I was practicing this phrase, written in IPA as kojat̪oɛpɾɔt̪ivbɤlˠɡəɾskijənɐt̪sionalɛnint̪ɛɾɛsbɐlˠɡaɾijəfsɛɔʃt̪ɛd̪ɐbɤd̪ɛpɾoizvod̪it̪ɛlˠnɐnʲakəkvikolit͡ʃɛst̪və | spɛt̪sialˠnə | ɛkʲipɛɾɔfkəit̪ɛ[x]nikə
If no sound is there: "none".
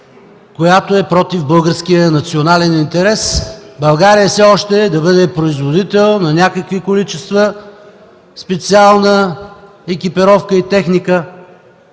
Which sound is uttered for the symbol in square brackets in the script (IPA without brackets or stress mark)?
x